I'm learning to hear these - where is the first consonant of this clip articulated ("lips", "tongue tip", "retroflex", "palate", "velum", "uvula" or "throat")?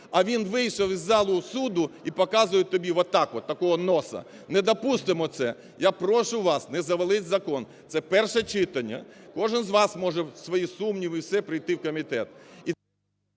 lips